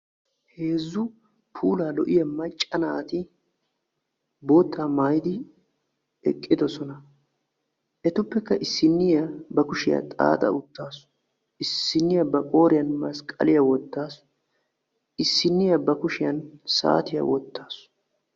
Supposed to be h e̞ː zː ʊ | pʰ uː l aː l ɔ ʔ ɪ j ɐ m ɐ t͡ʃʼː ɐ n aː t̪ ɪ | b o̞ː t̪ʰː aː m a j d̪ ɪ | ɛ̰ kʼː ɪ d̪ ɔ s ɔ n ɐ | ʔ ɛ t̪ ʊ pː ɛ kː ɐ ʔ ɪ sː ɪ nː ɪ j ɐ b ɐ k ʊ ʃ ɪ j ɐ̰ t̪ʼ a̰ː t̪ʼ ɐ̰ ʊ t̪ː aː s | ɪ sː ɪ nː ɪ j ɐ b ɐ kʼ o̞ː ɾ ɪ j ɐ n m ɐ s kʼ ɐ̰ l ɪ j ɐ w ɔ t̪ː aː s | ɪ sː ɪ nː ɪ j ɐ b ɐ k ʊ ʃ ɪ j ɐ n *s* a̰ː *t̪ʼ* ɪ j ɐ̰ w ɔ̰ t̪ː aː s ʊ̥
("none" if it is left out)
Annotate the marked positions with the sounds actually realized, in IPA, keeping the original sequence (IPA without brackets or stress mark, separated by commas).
s, t̪